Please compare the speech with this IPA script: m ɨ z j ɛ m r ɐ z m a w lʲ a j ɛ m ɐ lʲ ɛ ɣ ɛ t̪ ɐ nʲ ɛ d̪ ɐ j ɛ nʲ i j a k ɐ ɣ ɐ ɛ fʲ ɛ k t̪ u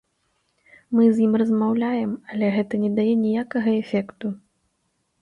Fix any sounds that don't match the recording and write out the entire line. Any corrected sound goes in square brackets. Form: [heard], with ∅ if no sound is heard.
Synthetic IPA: m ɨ z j [i] m r ɐ z m a w lʲ a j ɛ m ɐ lʲ ɛ ɣ ɛ t̪ ɐ nʲ ɛ d̪ [a] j ɛ nʲ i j a k ɐ ɣ ɐ ɛ fʲ ɛ k t̪ u